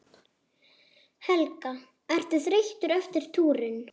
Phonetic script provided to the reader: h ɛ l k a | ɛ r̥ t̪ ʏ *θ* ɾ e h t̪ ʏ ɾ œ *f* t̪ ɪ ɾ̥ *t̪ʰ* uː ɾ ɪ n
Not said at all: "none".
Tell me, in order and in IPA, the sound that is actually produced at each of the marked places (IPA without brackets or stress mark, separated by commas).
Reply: θ, f, t̪ʰ